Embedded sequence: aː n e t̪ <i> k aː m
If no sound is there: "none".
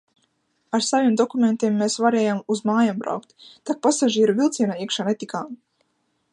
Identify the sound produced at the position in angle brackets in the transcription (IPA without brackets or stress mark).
i